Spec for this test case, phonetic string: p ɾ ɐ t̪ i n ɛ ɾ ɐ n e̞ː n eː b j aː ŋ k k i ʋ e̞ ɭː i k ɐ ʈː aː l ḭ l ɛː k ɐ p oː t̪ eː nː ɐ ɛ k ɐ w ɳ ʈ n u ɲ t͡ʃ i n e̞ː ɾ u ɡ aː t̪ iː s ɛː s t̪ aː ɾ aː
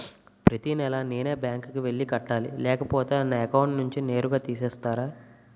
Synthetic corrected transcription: p ɾ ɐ t̪ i n ɛ l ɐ n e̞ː n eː b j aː ŋ k k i ʋ e̞ ɭː i k ɐ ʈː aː l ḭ l ɛː k ɐ p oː t̪ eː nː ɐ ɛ k ɐ w ɳ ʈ n u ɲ t͡ʃ i n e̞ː ɾ u ɡ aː t̪ iː s ɛː s t̪ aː ɾ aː

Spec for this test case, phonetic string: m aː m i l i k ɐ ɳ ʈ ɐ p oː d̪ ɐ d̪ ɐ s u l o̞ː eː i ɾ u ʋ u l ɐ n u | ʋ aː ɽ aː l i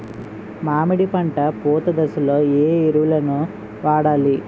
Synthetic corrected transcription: m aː m i ɽ i p ɐ ɳ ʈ ɐ p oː t̪ ɐ d̪ ɐ s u l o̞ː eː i ɾ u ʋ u l ɐ n u | ʋ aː ɽ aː l i

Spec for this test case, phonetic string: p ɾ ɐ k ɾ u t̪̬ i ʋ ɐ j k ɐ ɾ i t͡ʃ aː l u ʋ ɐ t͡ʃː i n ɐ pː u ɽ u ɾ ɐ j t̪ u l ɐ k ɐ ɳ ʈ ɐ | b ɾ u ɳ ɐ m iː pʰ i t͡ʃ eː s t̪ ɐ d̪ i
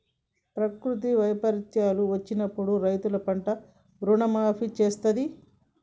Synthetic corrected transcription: p ɾ ɐ k ɾ u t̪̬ i ʋ ɐ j p ɐ ɾ i t͡ʃ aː l u ʋ ɐ t͡ʃː i n ɐ pː u ɽ u ɾ ɐ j t̪ u l ɐ p ɐ ɳ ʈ ɐ | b ɾ u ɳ ɐ m aː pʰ i t͡ʃ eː s t̪ ɐ d̪ i

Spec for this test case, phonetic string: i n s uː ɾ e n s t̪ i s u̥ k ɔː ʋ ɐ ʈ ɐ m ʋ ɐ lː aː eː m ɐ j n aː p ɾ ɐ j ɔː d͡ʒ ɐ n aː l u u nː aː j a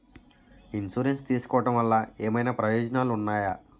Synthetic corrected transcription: i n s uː ɾ e n s t̪ iː s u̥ k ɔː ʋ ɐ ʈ ɐ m ʋ ɐ lː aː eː m ɐ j n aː p ɾ ɐ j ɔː d͡ʒ ɐ n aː l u u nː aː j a

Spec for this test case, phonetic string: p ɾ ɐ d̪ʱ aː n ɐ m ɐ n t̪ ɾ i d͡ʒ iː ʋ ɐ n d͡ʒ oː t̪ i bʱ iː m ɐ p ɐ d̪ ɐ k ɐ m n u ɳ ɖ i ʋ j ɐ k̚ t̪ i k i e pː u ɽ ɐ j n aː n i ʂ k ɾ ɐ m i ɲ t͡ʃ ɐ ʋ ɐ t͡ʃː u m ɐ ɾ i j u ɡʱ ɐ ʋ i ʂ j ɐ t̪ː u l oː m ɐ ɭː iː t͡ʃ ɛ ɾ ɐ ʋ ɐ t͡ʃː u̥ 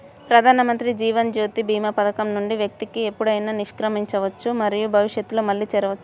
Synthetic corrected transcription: p ɾ ɐ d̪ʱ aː n ɐ m ɐ n t̪ ɾ i d͡ʒ iː ʋ ɐ n d͡ʒ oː t̪ i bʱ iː m ɐ p ɐ d̪ ɐ k ɐ m n u ɳ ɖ i ʋ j ɐ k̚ t̪ i k i e pː u ɽ ɐ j n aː n i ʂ k ɾ ɐ m i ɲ t͡ʃ ɐ ʋ ɐ t͡ʃː u m ɐ ɾ i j u bʱ ɐ ʋ i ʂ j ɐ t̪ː u l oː m ɐ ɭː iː t͡ʃ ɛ ɾ ɐ ʋ ɐ t͡ʃː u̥

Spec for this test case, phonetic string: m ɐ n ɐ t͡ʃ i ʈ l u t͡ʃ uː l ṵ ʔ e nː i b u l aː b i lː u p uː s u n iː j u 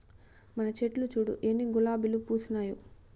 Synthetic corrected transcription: m ɐ n ɐ t͡ʃ e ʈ l u t͡ʃ uː ɽ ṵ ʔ e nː i ɡ u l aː b i l u p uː s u n aː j u

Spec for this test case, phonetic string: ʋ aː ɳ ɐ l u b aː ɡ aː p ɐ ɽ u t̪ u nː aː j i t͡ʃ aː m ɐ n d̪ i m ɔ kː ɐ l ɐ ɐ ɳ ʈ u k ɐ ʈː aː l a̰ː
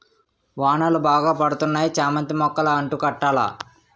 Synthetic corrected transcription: ʋ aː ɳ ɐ l u b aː ɡ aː p ɐ ɽ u t̪ u nː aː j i t͡ʃ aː m ɐ n t̪ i m ɔ kː ɐ l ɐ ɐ ɳ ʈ u k ɐ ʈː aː l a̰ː

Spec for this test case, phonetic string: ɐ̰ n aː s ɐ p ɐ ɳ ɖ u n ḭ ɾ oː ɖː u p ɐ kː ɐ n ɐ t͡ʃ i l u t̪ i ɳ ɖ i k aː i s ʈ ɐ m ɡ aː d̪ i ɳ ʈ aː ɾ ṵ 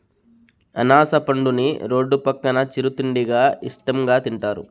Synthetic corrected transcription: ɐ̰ n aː s ɐ p ɐ ɳ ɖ u n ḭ ɾ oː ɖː u p ɐ kː ɐ n ɐ t͡ʃ i ɾ u t̪ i ɳ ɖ i ɡ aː i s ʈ ɐ m ɡ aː t̪ i ɳ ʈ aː ɾ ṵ

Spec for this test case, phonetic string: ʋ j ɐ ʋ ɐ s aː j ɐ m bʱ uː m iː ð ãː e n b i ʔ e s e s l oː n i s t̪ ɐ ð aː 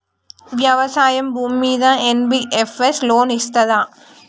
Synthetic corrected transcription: ʋ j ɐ ʋ ɐ s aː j ɐ m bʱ uː m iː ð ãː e n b i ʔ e f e s l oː n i s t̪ ɐ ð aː

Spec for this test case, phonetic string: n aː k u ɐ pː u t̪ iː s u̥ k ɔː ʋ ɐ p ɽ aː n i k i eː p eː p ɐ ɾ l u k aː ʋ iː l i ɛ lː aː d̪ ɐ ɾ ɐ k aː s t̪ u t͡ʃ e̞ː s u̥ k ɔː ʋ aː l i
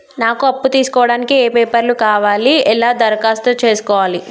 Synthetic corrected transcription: n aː k u ɐ pː u t̪ iː s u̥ k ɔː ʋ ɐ ɽ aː n i k i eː p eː p ɐ ɾ l u k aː ʋ aː l i ɛ l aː d̪ ɐ ɾ ɐ k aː s t̪ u t͡ʃ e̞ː s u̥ k ɔː ʋ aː l i

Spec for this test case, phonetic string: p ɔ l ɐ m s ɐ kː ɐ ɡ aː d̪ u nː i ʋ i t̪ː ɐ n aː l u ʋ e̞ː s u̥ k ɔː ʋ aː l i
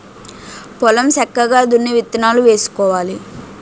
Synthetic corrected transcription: p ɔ l ɐ m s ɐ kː ɐ ɡ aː d̪ u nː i ʋ i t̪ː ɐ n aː l u ʋ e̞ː s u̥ k ɔː ʋ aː l i

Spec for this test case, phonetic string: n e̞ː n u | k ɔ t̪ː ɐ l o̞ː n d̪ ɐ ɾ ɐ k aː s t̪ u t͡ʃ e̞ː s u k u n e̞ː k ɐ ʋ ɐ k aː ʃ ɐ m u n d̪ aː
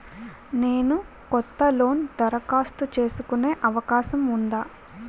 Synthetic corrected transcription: n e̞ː n u | k ɔ t̪ː ɐ l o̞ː n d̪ ɐ ɾ ɐ k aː s t̪ u t͡ʃ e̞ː s u k u n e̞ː ʔ ɐ ʋ ɐ k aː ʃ ɐ m u n d̪ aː

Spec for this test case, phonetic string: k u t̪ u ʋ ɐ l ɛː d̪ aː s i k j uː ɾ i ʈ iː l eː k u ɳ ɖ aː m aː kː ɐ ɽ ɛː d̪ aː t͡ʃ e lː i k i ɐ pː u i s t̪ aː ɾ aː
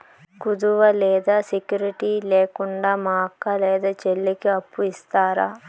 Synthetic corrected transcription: k u d̪ u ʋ ɐ l ɛː d̪ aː s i k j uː ɾ i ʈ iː l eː k u ɳ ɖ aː m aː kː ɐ l ɛː d̪ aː t͡ʃ e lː i k i ɐ pː u i s t̪ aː ɾ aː

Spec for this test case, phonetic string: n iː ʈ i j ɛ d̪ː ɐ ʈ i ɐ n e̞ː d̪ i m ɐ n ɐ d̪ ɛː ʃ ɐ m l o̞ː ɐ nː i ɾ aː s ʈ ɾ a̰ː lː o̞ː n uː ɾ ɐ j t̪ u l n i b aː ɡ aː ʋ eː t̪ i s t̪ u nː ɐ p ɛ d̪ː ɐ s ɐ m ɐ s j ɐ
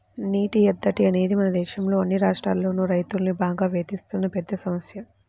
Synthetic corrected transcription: n iː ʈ i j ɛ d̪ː ɐ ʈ i ɐ n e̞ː d̪ i m ɐ n ɐ d̪ ɛː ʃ ɐ m l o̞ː ɐ nː i ɾ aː ʂ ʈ ɾ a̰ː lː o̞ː n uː ɾ ɐ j t̪ u l n i b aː ɡ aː ʋ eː t̪ i s t̪ u nː ɐ p ɛ d̪ː ɐ s ɐ m ɐ s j ɐ

